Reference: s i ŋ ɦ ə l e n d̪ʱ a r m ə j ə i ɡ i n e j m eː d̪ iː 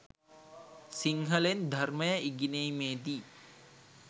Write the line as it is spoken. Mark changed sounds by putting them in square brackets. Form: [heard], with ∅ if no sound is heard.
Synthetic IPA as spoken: s i ŋ ɦ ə l e n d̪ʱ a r m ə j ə i ɡ i n e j m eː d̪ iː

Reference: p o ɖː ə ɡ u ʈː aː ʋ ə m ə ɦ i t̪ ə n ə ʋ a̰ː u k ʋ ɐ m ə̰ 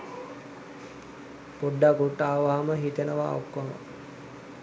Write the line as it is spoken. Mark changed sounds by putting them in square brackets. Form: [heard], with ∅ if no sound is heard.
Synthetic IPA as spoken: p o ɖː [a] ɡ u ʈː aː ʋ [a] m ə ɦ i t̪ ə n ə ʋ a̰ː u k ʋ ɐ m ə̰

